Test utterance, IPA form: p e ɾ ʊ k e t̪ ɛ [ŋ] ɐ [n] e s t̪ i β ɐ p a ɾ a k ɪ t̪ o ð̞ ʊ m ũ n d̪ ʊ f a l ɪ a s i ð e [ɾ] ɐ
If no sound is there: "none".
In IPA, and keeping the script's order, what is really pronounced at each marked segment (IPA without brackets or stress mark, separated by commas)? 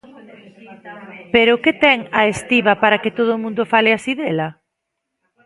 ŋ, none, l